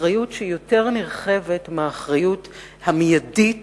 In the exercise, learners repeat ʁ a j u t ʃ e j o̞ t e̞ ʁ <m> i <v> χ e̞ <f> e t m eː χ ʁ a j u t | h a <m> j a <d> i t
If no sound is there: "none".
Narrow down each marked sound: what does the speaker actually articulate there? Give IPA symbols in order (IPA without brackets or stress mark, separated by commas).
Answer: n, ʁ, v, m, d